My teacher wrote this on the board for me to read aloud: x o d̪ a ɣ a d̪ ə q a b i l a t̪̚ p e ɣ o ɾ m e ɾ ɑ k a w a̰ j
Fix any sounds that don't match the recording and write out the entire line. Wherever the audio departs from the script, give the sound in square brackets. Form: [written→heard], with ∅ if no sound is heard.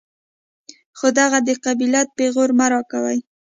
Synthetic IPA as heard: x o d̪ a ɣ a d̪ ə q a b i l a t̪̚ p e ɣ o ɾ m [e→a] ɾ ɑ k a w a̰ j

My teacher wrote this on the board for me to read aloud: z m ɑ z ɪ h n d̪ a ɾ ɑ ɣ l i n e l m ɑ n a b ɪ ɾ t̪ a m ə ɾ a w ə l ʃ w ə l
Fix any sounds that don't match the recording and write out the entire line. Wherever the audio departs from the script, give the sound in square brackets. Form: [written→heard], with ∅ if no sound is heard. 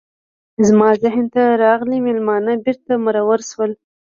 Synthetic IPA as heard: z m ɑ z ɪ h n [d̪→t̪] a ɾ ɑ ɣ l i [n→m] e l m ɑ n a b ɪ ɾ t̪ a m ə ɾ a w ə [l→ɾ] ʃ w ə l

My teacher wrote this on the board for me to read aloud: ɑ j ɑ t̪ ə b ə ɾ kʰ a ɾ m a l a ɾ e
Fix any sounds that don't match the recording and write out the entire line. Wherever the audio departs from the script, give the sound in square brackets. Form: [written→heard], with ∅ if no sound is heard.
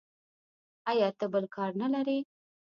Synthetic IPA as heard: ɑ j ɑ t̪ ə b ə [ɾ→l] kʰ [a→ɑ] ɾ [m→n] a l a ɾ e

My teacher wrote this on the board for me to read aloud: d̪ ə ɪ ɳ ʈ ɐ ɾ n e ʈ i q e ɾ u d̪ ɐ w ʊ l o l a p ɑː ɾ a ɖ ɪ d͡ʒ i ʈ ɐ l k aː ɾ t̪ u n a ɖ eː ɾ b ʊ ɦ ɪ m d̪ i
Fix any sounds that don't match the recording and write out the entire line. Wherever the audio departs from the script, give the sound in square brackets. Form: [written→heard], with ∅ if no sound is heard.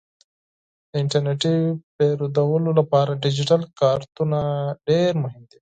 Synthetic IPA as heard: d̪ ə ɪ ɳ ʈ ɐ ɾ n e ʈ i [q→p] e ɾ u d̪ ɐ w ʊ l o l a p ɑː ɾ a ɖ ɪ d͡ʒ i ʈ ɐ l k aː ɾ t̪ u n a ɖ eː ɾ [b→m] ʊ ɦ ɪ m d̪ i

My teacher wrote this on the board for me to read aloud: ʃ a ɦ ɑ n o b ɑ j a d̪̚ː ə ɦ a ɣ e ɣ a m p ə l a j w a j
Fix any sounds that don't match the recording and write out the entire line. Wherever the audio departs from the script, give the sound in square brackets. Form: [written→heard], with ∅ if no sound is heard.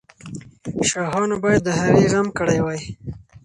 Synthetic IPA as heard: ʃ [a→ɑ] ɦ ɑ n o b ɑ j a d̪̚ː ə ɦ a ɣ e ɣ a m [p→k] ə [l→ɽ] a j w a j

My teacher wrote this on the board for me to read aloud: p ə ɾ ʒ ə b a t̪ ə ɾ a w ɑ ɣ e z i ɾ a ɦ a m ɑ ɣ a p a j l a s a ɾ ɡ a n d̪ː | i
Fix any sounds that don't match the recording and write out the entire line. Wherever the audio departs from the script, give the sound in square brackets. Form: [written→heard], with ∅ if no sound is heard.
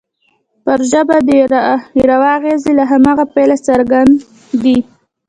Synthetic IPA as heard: p ə ɾ ʒ ə b a [t̪→d̪] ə ɾ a w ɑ ɣ e z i [ɾ→l] a ɦ a m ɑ ɣ a p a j l a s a ɾ ɡ a n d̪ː | i

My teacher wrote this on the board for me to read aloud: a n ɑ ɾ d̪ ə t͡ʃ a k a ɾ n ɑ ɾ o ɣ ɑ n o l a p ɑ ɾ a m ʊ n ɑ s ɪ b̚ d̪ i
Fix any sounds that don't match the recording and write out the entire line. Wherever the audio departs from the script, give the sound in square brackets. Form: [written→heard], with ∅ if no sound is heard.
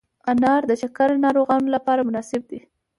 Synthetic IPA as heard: a n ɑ ɾ d̪ ə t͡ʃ a k a ɾ n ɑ ɾ o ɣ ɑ n o l a p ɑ ɾ a m ʊ n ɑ s ɪ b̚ d̪ i

